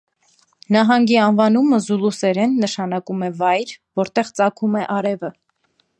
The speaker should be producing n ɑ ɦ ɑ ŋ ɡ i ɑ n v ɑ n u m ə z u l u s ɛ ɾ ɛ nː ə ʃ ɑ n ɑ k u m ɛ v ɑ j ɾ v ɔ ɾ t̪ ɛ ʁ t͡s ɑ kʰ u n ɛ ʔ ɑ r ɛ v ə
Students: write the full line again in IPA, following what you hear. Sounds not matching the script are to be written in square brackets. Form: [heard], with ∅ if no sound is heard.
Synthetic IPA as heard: n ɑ ɦ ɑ ŋ ɡ i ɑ n v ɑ n u m ə z u l u s ɛ ɾ ɛ nː ə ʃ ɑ n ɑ k u m ɛ v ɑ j ɾ v ɔ ɾ t̪ ɛ ʁ t͡s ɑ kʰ u [m] ɛ ʔ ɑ [ɾ] ɛ v ə